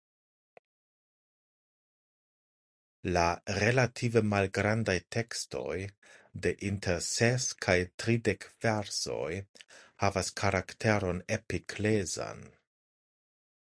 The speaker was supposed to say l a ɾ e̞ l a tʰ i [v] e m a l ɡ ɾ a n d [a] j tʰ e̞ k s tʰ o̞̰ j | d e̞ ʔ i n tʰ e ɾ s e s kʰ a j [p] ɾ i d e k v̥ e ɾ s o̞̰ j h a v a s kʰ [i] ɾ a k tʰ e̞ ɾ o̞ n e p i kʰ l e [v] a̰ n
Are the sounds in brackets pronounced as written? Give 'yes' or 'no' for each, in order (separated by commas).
yes, yes, no, no, no